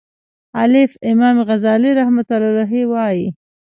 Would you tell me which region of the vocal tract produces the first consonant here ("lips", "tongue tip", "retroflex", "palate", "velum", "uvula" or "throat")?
tongue tip